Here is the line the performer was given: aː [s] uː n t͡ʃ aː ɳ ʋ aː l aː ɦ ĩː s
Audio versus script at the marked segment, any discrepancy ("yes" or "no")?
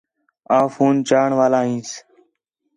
yes